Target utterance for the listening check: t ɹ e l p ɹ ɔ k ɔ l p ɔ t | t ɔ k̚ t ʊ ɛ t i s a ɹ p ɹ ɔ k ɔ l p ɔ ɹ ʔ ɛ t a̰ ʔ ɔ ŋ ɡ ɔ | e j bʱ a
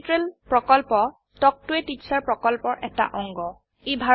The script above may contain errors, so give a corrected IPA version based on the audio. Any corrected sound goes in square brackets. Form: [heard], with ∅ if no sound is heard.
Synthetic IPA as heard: t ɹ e l p ɹ ɔ k ɔ l p ɔ [∅] | t ɔ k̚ t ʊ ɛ t i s a ɹ p ɹ ɔ k ɔ l p ɔ ɹ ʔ ɛ t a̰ ʔ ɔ ŋ ɡ ɔ | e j bʱ a